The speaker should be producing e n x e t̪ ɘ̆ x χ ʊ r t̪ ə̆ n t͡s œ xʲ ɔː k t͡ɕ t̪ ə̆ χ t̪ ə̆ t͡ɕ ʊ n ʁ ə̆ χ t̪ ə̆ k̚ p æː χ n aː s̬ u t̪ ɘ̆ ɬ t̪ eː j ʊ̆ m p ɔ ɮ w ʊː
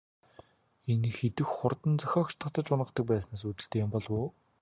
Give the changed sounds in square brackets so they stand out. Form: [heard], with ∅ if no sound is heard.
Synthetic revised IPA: e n x e t̪ ɘ̆ x χ ʊ r t̪ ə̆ n t͡s œ xʲ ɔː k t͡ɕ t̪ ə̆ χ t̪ ə̆ t͡ɕ ʊ n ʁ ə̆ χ t̪ ə̆ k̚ p æː [s] n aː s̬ u t̪ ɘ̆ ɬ t̪ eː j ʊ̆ m p ɔ ɮ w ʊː